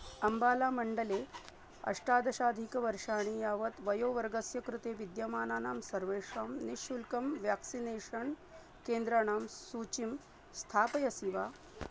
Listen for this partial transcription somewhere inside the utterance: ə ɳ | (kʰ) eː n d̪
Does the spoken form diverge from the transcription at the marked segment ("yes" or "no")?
yes